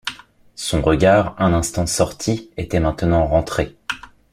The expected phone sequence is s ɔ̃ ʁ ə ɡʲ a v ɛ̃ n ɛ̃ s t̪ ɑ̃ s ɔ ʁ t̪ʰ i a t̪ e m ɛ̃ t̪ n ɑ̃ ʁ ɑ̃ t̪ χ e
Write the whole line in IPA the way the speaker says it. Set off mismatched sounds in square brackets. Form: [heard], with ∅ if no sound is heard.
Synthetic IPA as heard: s ɔ̃ ʁ ə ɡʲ a [ʁ] ɛ̃ n ɛ̃ s t̪ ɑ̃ s ɔ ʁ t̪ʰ i [e] t̪ [ɛ] m ɛ̃ t̪ n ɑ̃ ʁ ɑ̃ t̪ χ e